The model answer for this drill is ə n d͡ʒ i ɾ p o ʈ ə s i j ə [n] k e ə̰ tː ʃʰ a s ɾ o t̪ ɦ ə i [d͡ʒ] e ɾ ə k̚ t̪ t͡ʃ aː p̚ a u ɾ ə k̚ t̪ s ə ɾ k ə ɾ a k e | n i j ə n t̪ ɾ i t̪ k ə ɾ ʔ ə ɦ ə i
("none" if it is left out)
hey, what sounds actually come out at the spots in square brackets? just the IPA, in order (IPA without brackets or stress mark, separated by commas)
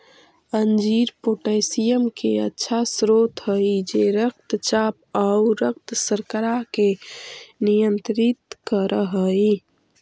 m, d͡ʒ